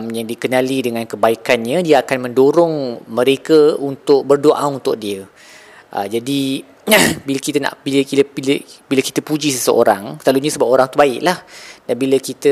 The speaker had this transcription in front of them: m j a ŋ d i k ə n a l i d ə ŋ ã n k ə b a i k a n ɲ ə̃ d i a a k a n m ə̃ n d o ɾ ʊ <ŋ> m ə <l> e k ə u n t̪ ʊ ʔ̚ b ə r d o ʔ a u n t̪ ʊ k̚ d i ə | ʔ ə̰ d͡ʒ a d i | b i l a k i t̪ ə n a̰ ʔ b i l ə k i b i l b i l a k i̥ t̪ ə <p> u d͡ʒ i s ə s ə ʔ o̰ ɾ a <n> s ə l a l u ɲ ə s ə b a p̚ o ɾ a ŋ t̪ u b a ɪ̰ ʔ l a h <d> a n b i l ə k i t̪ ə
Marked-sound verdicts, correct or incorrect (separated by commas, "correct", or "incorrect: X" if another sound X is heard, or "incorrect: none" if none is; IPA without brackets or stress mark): correct, incorrect: ɾ, correct, incorrect: ŋ, correct